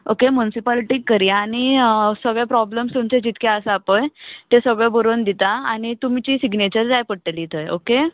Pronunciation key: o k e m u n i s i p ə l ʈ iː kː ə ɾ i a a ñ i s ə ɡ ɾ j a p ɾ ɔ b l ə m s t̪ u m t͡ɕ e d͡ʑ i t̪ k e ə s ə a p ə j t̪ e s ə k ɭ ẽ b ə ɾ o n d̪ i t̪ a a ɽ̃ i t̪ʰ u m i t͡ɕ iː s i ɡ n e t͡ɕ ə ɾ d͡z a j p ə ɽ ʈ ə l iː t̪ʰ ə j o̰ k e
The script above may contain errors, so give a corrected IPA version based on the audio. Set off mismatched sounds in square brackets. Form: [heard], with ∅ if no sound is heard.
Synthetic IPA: o k e m u n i s i p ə l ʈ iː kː ə ɾ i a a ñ i s ə ɡ [ɭ] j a p ɾ ɔ b l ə m s t̪ u m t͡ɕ e d͡ʑ i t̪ k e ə s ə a p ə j t̪ e s ə [ɡ] ɭ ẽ b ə ɾ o n d̪ i t̪ a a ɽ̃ i [t̪] u m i t͡ɕ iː s i ɡ n e t͡ɕ ə ɾ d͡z a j p ə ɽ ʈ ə l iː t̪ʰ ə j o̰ k e